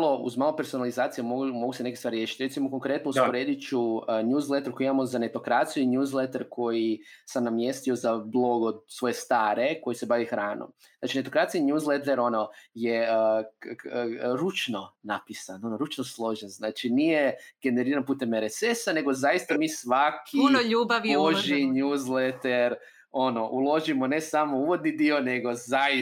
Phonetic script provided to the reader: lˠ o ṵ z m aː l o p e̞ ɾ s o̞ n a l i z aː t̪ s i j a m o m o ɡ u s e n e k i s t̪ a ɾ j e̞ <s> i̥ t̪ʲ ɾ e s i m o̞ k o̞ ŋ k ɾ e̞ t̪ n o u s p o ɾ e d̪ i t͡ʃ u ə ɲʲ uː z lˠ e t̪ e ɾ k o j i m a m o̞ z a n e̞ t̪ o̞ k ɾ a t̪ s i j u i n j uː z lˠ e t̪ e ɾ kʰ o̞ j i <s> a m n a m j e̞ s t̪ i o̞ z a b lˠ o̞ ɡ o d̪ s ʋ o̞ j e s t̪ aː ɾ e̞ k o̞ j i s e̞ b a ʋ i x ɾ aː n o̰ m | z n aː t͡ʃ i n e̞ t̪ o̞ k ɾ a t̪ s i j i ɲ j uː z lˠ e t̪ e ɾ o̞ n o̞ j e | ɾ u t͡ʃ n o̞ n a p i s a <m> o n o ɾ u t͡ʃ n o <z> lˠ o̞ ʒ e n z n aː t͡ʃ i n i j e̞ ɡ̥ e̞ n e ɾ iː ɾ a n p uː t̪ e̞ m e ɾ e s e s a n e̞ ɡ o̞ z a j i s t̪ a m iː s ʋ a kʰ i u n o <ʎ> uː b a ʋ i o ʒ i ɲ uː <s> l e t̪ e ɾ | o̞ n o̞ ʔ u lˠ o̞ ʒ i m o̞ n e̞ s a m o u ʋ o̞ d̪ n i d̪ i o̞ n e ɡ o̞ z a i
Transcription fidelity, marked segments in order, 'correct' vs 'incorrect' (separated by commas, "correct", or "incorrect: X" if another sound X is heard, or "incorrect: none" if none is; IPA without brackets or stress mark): incorrect: ʃ, correct, incorrect: n, incorrect: s, correct, incorrect: z